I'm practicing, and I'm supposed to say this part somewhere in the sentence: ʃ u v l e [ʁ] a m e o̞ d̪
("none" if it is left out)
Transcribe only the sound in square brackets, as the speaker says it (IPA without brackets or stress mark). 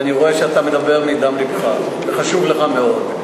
χ